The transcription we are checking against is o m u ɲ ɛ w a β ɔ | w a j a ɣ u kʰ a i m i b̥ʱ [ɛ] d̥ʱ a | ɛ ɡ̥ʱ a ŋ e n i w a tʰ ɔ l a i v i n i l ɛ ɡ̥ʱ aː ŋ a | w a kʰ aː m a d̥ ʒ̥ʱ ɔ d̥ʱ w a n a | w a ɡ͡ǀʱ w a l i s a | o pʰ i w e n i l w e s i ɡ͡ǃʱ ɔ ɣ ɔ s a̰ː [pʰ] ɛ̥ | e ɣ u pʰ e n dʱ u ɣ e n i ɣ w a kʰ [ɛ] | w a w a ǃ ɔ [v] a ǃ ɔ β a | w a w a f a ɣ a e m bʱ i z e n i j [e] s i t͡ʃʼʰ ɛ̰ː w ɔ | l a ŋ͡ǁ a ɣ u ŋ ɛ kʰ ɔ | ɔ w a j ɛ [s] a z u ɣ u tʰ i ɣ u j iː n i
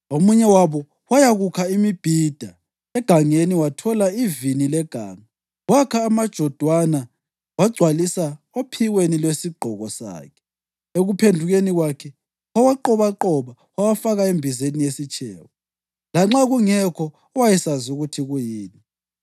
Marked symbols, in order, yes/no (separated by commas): no, no, yes, no, yes, yes